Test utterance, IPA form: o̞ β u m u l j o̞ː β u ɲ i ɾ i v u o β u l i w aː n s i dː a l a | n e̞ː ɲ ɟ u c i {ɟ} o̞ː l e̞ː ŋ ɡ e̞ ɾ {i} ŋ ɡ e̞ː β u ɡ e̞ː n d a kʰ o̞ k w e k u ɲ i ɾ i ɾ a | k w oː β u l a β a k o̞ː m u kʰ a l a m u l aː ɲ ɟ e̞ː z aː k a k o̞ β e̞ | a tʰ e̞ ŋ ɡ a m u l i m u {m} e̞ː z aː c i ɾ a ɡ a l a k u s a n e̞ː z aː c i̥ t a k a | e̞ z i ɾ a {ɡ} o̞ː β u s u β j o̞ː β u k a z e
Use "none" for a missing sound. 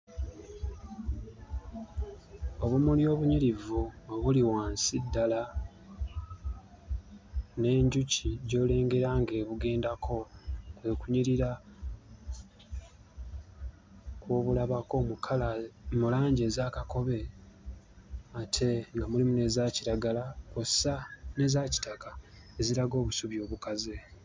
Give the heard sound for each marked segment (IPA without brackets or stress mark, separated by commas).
ɟ, a, n, ɡ